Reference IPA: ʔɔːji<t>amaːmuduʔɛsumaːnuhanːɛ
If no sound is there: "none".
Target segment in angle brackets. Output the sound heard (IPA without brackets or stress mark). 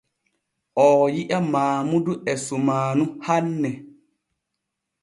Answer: ʔ